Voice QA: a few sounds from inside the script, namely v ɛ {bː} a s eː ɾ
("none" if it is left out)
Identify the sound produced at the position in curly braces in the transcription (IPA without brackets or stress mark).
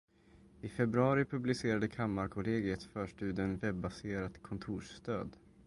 bː